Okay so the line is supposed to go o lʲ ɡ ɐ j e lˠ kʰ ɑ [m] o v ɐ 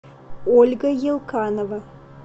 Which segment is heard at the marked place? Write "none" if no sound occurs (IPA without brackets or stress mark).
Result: n